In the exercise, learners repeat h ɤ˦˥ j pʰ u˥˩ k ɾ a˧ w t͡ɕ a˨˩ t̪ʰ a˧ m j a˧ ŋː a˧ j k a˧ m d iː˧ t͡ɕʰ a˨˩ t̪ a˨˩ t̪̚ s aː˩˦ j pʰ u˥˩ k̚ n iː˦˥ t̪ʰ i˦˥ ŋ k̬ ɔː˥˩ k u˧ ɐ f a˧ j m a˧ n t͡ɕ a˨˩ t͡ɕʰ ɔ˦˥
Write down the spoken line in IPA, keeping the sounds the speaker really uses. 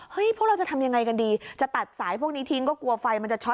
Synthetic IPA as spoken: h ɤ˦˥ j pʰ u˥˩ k ɾ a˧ w t͡ɕ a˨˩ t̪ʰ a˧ m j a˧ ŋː a˧ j k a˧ n d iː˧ t͡ɕ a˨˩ t̪ a˨˩ t̪̚ s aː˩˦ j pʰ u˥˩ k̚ n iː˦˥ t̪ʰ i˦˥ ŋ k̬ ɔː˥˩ k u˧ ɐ f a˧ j m a˧ n t͡ɕ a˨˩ t͡ɕʰ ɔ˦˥